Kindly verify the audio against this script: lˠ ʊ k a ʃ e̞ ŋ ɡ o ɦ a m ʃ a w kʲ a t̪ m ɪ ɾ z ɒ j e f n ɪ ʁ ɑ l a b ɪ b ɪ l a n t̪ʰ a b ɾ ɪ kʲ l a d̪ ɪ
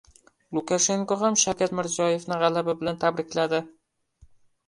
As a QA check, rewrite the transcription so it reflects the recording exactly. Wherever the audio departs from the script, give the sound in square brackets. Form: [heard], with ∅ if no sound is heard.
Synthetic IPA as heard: lˠ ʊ k a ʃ e̞ ŋ [k] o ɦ a m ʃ a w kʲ a t̪ m ɪ ɾ z ɒ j e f n ɪ ʁ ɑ l a b ɪ b ɪ l a n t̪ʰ a b ɾ ɪ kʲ l a d̪ ɪ